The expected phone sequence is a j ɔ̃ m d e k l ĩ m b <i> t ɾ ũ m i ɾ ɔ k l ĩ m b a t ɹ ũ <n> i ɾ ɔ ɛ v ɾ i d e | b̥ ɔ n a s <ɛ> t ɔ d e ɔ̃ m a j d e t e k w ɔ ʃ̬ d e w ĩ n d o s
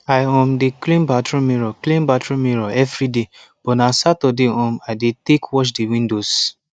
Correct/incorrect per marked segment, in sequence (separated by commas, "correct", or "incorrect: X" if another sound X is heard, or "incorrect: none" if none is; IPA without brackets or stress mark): incorrect: a, incorrect: m, incorrect: a